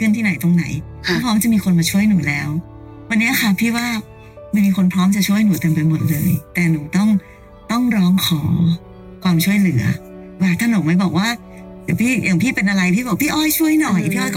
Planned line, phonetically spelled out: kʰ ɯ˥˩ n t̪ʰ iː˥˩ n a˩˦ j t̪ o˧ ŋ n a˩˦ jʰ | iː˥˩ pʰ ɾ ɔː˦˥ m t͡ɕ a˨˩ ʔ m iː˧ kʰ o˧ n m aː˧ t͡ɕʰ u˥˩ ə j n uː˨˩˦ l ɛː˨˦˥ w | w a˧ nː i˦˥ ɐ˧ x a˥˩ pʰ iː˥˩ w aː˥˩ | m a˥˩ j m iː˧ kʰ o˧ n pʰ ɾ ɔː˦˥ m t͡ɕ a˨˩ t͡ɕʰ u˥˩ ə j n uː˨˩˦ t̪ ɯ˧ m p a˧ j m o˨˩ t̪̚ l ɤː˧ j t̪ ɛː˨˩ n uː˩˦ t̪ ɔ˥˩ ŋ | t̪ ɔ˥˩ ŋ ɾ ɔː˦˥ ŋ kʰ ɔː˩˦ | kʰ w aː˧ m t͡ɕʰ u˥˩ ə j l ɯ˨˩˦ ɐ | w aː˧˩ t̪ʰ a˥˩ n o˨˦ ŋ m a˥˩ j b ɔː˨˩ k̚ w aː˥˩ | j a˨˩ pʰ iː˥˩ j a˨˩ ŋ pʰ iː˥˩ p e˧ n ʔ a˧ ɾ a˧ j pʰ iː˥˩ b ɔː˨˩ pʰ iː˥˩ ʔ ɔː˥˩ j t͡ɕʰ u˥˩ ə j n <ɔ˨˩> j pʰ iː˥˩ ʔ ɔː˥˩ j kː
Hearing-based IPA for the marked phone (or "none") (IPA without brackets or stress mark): ɔ˨˩